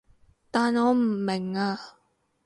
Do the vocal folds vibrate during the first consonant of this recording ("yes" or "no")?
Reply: no